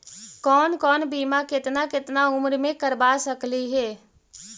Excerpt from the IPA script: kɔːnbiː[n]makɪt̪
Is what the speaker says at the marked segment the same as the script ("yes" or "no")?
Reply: no